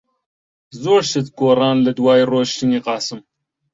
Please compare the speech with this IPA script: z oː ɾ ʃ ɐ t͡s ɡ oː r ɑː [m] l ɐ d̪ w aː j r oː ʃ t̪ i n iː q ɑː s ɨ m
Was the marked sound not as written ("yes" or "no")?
yes